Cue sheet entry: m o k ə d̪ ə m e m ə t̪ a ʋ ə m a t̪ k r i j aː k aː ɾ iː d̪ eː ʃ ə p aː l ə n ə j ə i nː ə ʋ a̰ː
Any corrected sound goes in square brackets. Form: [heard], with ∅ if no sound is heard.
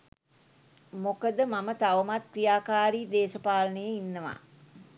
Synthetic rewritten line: m o k ə d̪ ə m [a] m ə t̪ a ʋ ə m a t̪ k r i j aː k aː ɾ iː d̪ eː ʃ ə p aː l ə n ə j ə i nː ə ʋ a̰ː